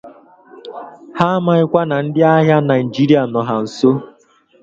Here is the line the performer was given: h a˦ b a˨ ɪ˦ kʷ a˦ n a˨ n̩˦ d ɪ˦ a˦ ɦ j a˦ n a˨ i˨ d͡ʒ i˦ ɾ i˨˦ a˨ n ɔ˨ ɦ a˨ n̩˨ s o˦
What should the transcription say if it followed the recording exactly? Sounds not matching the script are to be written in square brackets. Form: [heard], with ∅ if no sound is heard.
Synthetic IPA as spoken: h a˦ [m] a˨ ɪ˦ kʷ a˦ n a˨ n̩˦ d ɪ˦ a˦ ɦ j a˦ n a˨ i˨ d͡ʒ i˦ ɾ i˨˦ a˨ n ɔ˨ ɦ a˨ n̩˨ s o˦